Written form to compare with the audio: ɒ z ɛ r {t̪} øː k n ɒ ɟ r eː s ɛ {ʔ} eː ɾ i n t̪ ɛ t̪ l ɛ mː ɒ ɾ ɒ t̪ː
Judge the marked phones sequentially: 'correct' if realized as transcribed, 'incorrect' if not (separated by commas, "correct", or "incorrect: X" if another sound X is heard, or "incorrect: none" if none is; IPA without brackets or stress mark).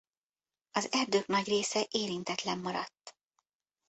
incorrect: d̪, correct